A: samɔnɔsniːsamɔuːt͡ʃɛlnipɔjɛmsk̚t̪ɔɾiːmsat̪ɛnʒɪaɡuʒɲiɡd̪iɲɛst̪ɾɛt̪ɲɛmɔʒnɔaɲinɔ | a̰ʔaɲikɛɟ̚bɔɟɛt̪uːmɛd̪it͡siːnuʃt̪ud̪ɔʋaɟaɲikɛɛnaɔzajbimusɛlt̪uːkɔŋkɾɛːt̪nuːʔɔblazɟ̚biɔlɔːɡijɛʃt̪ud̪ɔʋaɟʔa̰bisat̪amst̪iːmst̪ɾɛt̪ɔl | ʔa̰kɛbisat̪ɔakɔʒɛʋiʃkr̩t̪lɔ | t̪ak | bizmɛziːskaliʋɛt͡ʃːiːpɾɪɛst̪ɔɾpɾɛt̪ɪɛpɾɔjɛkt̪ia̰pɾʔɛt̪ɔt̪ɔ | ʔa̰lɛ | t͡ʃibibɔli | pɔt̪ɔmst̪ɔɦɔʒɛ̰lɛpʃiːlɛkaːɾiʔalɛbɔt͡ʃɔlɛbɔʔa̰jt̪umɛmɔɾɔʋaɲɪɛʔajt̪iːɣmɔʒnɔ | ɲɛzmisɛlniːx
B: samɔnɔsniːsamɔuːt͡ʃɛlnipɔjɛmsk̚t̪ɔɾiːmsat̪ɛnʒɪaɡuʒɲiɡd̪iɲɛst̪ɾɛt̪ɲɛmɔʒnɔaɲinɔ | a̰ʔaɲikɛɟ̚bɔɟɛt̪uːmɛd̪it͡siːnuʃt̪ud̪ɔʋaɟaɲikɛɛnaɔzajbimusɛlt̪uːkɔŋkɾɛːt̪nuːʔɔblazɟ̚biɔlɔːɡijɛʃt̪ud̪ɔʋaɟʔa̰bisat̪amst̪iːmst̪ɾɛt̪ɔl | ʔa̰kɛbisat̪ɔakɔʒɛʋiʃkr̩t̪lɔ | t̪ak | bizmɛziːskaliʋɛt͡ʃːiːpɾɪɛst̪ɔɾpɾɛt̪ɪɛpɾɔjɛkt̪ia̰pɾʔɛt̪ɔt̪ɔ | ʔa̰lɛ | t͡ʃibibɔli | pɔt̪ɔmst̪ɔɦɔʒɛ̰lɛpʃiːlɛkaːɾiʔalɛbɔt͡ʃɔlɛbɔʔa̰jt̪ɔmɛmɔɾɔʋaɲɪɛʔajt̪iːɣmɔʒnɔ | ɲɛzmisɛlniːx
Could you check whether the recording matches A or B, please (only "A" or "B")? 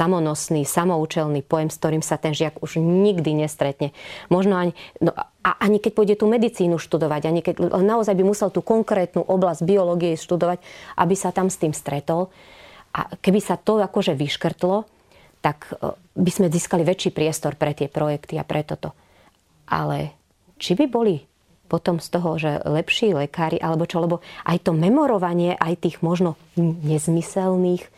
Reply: B